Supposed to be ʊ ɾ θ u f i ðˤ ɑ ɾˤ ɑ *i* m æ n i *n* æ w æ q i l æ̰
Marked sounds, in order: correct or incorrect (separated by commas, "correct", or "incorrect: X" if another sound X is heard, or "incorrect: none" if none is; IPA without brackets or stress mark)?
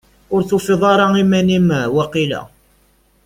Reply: correct, incorrect: m